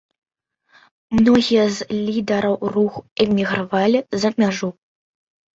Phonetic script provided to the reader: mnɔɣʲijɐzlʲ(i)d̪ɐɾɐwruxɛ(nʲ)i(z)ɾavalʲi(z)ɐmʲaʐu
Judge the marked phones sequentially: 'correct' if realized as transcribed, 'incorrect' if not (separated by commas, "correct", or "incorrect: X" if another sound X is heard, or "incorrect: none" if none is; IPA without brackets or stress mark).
correct, incorrect: mʲ, incorrect: ɣ, correct